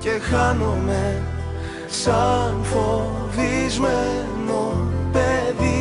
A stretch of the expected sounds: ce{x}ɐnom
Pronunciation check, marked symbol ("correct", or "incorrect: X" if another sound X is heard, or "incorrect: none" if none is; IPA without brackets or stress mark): correct